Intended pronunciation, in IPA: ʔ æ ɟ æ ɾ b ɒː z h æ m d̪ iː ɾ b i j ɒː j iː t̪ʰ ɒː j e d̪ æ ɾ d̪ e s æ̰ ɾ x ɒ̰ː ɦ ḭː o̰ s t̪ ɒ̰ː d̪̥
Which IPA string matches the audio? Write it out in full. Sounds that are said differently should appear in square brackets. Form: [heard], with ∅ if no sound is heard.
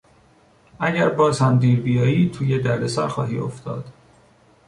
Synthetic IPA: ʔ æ ɟ æ ɾ b ɒː z h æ m d̪ iː ɾ b i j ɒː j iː t̪ʰ [uː] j e d̪ æ ɾ d̪ e s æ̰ ɾ x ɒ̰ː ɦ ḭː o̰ [f] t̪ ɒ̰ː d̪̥